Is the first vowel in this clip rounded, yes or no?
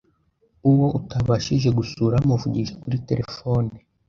yes